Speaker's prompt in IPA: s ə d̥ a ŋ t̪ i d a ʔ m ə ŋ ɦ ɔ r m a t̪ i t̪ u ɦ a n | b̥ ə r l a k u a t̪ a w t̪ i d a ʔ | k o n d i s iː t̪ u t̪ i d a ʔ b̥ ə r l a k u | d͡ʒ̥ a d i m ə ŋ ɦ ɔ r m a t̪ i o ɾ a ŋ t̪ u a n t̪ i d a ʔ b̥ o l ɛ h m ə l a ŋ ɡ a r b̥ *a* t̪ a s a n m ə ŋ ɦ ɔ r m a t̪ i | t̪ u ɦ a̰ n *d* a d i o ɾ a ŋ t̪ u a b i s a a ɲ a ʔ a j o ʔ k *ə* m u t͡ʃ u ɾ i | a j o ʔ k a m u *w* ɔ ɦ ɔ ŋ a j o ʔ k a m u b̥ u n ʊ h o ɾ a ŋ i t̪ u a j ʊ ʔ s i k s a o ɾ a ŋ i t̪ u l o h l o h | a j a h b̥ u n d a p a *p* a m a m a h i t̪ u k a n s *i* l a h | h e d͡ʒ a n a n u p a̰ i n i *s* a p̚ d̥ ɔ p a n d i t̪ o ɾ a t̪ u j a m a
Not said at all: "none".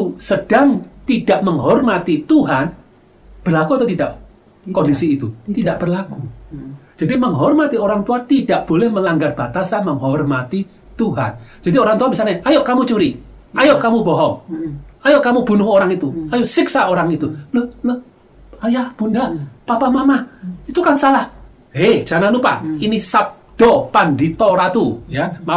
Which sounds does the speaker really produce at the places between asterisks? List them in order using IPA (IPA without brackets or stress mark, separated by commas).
a, d͡ʒ, a, b, p, a, s